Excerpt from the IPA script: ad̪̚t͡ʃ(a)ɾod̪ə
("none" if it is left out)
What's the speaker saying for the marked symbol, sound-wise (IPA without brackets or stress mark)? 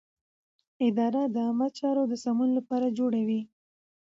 ɑ